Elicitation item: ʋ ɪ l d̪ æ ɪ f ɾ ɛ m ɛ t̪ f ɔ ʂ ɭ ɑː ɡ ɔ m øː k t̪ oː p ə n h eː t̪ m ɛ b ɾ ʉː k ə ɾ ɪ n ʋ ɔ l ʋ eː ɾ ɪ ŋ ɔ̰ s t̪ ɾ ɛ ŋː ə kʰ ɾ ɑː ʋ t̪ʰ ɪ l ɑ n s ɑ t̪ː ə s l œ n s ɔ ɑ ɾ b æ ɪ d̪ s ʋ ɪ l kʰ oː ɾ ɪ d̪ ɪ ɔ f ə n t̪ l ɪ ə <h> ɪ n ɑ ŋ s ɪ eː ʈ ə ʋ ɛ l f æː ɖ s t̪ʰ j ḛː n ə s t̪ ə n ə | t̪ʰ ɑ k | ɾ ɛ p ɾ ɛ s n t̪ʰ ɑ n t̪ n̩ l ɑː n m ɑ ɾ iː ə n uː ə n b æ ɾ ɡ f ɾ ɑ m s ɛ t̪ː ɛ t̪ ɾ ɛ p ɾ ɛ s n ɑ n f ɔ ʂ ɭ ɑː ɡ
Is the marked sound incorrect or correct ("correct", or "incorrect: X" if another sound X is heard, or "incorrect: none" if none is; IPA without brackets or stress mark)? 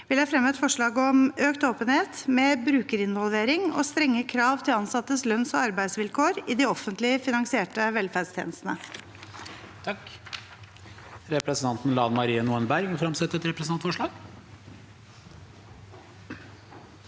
incorrect: f